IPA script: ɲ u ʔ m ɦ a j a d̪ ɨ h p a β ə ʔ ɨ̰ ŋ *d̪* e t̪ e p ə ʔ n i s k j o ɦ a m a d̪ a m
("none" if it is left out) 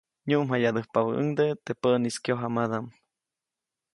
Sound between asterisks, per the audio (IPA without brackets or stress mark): d̪